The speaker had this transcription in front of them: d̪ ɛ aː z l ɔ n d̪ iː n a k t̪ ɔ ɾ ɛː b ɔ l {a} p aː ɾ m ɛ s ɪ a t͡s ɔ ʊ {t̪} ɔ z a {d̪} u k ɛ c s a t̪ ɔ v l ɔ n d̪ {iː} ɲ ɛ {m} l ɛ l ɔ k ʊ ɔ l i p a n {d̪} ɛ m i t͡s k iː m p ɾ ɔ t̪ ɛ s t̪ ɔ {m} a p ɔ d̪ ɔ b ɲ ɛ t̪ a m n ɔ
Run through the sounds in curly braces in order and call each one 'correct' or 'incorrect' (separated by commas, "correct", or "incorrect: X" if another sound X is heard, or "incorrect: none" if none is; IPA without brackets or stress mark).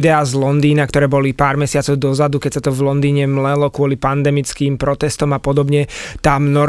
incorrect: i, incorrect: d̪, correct, correct, correct, correct, correct